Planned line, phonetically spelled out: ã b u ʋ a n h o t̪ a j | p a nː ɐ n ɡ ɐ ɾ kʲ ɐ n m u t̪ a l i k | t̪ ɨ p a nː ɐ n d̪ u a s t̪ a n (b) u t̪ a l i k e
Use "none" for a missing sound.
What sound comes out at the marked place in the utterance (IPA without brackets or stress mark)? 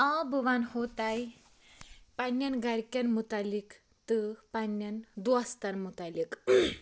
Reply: m